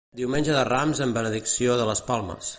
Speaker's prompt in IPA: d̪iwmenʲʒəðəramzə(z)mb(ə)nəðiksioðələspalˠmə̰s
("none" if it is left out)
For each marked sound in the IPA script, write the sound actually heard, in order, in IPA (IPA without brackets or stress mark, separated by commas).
none, ə